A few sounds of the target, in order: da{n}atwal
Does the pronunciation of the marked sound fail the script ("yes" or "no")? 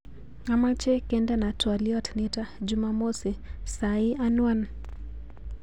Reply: no